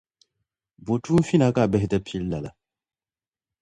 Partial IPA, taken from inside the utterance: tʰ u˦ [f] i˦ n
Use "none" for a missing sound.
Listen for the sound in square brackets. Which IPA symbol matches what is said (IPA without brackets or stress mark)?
f